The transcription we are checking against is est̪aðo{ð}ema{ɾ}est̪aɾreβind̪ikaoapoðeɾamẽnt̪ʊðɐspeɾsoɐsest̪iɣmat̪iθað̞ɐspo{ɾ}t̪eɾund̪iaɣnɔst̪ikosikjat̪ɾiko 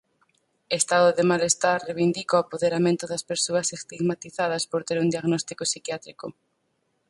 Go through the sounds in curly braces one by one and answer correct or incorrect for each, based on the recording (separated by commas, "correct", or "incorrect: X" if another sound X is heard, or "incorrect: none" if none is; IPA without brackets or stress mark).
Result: correct, incorrect: l, correct